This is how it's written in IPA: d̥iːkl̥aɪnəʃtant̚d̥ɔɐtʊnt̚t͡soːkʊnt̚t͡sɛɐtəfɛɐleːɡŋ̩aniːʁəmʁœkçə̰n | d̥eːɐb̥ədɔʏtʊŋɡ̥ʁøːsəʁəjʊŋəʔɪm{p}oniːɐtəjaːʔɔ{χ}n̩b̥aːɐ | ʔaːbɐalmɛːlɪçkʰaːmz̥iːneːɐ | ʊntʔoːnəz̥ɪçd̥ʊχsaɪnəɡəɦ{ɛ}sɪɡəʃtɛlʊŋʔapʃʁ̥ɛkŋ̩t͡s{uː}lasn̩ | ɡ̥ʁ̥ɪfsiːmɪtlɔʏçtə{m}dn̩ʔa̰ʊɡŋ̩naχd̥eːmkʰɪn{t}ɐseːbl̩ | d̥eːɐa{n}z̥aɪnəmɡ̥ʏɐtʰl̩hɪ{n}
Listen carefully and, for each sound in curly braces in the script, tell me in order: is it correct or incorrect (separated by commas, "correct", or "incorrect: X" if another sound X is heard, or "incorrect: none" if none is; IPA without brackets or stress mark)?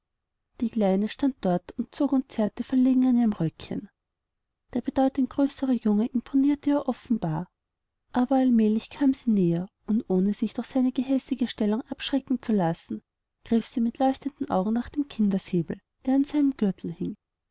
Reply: incorrect: pʰ, incorrect: f, correct, incorrect: u, incorrect: n, incorrect: d, correct, incorrect: ŋ